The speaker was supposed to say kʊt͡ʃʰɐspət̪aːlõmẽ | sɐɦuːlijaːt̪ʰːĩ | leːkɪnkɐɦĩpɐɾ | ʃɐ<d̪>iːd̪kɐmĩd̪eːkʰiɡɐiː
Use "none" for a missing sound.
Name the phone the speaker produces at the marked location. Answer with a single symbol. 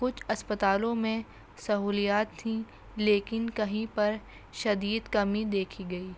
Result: d̪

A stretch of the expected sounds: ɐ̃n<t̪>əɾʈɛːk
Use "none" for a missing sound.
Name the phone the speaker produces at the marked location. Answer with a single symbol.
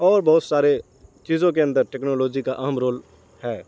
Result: d̪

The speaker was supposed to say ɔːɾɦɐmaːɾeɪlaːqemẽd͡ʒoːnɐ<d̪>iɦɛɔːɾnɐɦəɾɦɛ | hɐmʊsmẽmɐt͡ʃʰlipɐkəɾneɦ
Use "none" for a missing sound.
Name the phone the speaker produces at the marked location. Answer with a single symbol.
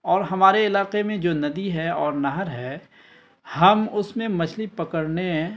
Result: d̪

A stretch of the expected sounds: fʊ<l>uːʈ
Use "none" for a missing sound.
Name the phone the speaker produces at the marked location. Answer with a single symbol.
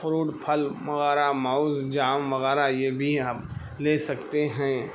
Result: ɾ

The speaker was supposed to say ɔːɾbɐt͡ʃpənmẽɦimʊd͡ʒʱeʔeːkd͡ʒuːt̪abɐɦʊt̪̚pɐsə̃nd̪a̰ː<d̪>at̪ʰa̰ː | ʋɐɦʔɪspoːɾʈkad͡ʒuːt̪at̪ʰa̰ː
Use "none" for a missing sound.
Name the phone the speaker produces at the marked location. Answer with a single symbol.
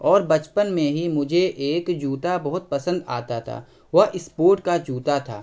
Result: t̪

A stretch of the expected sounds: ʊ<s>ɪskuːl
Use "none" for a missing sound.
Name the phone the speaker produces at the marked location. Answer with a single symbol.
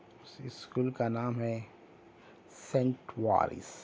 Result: s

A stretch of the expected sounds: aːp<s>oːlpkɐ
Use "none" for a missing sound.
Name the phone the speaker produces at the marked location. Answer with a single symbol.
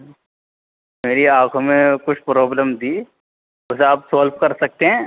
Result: s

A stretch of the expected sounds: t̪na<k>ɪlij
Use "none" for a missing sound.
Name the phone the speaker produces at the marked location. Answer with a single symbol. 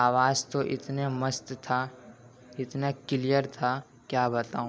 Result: k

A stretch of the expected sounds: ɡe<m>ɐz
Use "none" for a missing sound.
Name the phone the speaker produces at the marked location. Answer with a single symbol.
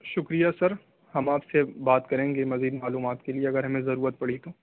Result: m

